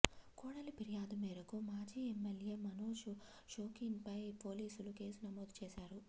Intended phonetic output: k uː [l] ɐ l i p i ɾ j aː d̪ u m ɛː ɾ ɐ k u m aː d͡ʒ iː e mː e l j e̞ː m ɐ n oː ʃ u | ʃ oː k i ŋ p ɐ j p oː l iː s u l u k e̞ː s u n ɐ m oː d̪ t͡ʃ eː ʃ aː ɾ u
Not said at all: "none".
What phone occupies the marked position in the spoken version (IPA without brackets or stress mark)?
ɽ